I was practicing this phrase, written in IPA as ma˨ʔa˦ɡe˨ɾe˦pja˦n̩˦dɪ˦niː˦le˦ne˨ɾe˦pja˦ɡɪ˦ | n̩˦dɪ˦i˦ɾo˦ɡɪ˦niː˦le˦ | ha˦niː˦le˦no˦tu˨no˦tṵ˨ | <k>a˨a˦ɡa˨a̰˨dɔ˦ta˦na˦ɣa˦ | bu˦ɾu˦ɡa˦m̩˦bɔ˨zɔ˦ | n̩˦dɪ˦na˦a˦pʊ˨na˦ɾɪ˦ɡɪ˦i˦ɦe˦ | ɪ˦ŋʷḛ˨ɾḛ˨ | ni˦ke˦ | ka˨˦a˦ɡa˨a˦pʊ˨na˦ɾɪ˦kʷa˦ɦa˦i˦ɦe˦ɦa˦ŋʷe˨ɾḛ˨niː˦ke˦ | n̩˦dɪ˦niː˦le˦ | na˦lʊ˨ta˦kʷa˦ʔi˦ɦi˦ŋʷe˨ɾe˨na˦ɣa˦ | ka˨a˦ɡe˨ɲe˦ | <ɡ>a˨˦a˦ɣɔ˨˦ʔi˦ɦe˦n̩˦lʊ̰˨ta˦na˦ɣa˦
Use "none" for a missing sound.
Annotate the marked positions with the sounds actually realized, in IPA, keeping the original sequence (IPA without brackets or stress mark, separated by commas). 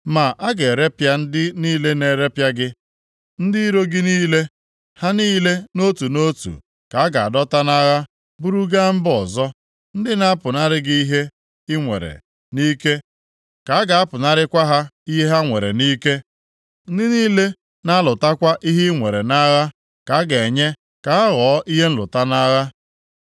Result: k, k